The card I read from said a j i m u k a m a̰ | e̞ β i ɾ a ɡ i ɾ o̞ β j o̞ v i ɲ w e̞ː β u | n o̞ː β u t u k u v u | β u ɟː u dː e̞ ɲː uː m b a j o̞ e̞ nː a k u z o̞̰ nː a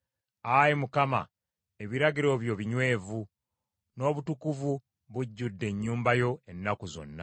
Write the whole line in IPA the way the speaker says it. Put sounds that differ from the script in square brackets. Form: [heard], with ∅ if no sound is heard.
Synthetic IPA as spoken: a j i m u k a m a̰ | e̞ β i ɾ a ɡ i ɾ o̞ β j o̞ [β] i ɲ w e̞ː [v] u | n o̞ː β u t u k u v u | β u ɟː u dː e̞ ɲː uː m b a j o̞ e̞ nː a k u z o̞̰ nː a

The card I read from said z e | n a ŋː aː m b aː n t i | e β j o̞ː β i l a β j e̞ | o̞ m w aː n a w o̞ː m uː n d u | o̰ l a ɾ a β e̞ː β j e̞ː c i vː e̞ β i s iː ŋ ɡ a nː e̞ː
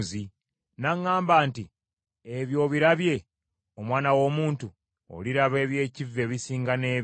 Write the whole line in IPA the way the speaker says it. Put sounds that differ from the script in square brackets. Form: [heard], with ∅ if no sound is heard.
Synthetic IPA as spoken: z [i] | n a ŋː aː m b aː n t i | e β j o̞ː β i [ɾ] a β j e̞ | o̞ m w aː n a w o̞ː m uː n [t] u | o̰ l [i] ɾ a β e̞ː β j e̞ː c i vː e̞ β i s iː ŋ ɡ a [n] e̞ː

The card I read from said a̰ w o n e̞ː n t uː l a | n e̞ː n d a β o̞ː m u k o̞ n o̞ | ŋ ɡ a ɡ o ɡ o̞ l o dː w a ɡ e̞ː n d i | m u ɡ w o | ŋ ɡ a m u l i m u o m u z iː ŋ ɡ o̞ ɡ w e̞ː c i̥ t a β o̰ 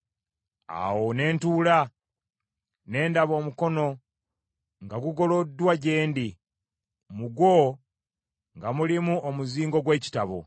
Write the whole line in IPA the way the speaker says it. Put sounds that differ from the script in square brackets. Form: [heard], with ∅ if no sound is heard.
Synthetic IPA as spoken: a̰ w o n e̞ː n t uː l a | n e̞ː n d a β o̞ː m u k o̞ n o̞ | ŋ ɡ a ɡ [u] ɡ o̞ l o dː w a [ɟ] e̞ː n d i | m u ɡ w o | ŋ ɡ a m u l i m u o m u z iː ŋ ɡ o̞ ɡ w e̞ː c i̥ t a β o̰

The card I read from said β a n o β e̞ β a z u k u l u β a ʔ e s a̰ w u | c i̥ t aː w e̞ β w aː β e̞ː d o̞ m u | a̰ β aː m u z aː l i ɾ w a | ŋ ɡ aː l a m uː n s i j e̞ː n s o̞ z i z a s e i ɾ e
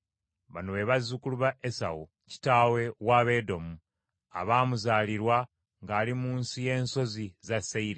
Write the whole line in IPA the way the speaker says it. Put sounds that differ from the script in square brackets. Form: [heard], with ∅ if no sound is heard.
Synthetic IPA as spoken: β a n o β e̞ β a z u k u l u β a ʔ e s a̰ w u | c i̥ t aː w e̞ [∅] w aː β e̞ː d o̞ m u | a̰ β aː m u z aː l i ɾ w a | ŋ ɡ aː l [i] m uː n s i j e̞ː n s o̞ z i z a s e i ɾ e

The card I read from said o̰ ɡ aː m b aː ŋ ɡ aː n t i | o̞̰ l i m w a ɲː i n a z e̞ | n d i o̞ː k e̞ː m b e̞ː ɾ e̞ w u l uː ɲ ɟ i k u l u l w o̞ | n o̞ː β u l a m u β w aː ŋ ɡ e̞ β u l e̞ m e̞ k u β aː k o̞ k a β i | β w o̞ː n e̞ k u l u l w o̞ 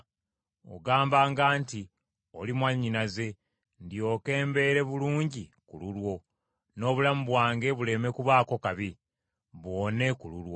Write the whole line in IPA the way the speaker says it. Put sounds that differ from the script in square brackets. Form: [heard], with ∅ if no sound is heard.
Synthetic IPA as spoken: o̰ ɡ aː m b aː ŋ ɡ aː n t i | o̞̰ l i m w a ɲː i n a z e̞ | n d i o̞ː k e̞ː m b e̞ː ɾ e̞ [β] u l uː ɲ ɟ i k u l u l w o̞ | n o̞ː β u l a m u β w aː ŋ ɡ e̞ β u l e̞ m e̞ k u β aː k o̞ k a β i | β w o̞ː n e̞ k u l u l w o̞

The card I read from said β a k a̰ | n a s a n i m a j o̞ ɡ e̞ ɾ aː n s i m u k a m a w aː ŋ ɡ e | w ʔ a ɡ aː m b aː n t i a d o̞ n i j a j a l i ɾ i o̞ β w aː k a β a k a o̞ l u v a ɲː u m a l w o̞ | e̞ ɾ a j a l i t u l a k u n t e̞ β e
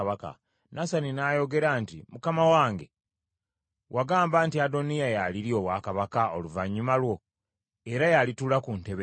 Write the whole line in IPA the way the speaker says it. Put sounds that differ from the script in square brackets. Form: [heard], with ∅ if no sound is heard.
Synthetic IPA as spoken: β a k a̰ | n a s a n i [n] a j o̞ ɡ e̞ ɾ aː n [t] i m u k a m a w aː ŋ ɡ e | w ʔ a ɡ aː m b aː n t i a d o̞ n i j a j a l i ɾ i o̞ β w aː k a β a k a o̞ l u v a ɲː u m a l w o̞ | e̞ ɾ a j a l i t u l a k u n t e̞ β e

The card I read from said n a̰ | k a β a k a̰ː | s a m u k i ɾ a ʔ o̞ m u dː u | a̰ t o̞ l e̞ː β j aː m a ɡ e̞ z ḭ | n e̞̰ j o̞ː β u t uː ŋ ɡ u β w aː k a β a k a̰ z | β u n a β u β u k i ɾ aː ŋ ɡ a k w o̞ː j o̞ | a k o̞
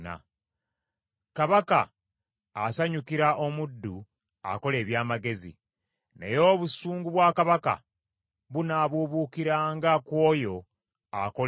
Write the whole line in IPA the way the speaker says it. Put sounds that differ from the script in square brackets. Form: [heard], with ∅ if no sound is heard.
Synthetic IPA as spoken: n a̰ | k a β a k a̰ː | s a [ɲ] u k i ɾ a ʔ o̞ m u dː u | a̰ [k] o̞ l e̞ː β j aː m a ɡ e̞ z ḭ | n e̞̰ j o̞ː β u [s] uː ŋ ɡ u β w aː k a β a k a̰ [∅] | β u n a β u β u k i ɾ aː ŋ ɡ a k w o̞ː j o̞ | a k o̞

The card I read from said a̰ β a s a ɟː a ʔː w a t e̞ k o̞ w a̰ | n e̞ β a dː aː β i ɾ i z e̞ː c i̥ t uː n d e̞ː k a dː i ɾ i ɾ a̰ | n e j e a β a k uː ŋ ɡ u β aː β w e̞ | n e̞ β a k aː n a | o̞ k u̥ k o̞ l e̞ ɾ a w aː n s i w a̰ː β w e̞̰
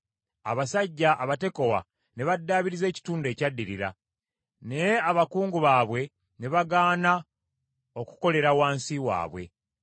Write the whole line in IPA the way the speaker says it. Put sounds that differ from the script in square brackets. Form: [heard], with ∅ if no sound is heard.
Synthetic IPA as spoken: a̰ β a s a ɟː a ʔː [β] a t e̞ k o̞ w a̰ | n e̞ β a dː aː β i ɾ i z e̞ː c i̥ t uː n d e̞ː [c] a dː i ɾ i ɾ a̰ | n e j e a β a k uː ŋ ɡ u β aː β w e̞ | n e̞ β a [ɡ] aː n a | o̞ k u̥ k o̞ l e̞ ɾ a w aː n s i w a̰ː β w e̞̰

